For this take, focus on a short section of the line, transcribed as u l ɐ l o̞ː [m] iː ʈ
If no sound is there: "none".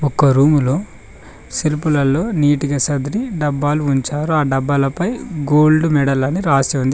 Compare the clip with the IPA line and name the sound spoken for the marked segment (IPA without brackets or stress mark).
n